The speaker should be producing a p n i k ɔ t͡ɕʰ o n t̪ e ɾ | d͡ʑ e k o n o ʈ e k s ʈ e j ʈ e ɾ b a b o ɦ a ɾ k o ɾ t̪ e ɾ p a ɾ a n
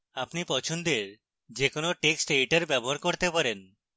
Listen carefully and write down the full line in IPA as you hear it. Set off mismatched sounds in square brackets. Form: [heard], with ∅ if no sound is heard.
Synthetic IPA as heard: a p n i [p] ɔ t͡ɕʰ o n [d̪] e ɾ | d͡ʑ e k o n o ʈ e k s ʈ e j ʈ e ɾ b [ɛ] b o ɦ a ɾ k o ɾ t̪ e [∅] p a ɾ [e] n